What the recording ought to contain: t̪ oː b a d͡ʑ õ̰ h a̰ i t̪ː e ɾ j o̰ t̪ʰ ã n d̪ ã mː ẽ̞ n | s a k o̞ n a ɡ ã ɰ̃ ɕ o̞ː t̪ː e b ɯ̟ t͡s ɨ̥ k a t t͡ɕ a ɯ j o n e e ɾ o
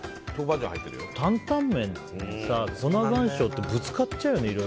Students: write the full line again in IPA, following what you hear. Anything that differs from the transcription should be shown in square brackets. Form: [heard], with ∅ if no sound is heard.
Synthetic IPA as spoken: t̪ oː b a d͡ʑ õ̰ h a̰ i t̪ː e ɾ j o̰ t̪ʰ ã n [t̪] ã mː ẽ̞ n | s a k o̞ n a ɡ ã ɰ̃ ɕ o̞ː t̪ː e b ɯ̟ t͡s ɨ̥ k a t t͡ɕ a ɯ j o n e [i] ɾ o